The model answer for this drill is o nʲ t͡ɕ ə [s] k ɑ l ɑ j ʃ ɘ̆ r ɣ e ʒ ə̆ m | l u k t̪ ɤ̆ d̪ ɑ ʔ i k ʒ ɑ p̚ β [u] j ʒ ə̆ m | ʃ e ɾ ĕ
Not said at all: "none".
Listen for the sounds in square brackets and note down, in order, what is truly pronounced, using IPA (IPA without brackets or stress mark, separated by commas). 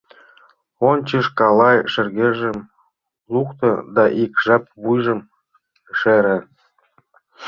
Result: ʃ, u